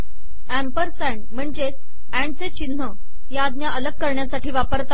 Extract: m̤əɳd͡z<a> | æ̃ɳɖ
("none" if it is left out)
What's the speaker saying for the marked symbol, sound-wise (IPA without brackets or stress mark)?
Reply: e